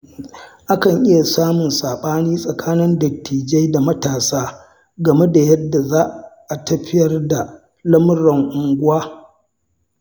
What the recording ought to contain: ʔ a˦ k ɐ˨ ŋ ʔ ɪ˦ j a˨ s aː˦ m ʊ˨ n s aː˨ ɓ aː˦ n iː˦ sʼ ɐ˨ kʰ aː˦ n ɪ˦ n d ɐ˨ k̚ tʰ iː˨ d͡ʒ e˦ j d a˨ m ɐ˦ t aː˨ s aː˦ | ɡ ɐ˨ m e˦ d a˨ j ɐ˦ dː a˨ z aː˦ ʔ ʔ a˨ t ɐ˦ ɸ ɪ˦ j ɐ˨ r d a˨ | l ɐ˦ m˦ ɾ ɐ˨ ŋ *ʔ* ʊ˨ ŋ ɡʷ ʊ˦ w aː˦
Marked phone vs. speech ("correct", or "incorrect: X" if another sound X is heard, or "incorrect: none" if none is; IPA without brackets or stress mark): correct